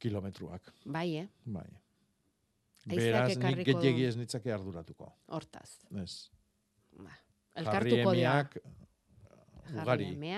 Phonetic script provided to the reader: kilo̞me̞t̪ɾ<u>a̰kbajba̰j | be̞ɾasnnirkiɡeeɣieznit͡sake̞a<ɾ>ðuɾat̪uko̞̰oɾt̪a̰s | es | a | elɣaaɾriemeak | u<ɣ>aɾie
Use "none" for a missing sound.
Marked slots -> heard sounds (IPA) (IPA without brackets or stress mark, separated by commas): u, ɾ, ɣ